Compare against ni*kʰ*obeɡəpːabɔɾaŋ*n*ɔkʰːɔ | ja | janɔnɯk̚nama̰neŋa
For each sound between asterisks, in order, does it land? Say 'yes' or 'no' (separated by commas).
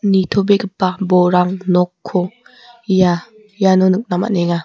no, yes